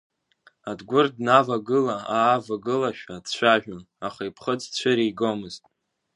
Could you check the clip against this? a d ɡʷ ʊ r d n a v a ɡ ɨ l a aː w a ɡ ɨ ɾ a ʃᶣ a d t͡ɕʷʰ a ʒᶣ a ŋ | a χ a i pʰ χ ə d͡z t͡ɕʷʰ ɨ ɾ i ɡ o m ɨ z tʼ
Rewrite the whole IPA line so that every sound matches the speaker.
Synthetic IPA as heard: a d ɡʷ ʊ r d n a v a ɡ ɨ l a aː v a ɡ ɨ l a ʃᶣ a d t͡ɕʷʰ a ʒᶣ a n | a χ a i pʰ χ ə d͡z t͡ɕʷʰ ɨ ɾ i ɡ o m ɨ z tʼ